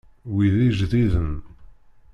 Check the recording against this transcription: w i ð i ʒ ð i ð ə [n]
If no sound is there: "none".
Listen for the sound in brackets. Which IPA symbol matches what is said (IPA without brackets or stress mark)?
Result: n